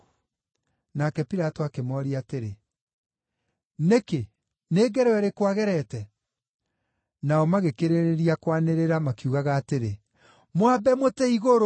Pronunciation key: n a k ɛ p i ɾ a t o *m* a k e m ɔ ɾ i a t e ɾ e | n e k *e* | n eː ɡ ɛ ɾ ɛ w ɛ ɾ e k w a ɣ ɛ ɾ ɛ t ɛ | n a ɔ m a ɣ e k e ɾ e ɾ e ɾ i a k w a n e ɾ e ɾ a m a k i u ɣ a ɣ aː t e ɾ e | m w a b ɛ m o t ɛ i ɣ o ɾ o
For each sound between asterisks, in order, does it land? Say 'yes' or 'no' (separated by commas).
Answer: no, yes